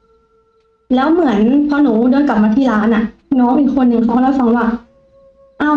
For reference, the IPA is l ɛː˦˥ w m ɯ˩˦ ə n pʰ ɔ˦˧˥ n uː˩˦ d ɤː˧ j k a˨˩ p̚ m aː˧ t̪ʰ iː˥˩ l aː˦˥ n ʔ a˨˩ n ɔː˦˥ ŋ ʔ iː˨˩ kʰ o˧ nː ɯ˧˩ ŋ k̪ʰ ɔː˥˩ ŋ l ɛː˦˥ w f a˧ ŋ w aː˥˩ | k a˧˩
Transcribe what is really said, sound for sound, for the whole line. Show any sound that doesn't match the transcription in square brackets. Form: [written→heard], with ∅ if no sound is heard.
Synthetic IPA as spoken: l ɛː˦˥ w m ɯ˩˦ ə n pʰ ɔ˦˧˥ n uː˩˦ d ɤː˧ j k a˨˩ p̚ m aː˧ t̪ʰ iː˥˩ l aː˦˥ n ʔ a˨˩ n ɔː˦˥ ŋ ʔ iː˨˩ kʰ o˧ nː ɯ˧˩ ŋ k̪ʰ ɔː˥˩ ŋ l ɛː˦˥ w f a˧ ŋ w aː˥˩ | [k→ʔ] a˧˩